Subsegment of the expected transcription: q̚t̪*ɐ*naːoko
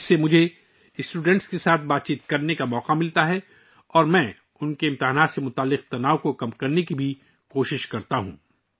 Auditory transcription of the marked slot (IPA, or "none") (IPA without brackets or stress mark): ɐ